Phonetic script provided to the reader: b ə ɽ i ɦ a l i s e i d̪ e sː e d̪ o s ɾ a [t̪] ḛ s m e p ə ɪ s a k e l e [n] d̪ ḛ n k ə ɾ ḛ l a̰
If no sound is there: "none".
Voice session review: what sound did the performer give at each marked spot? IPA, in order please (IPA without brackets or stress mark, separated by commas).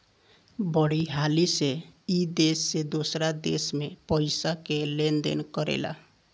d̪, n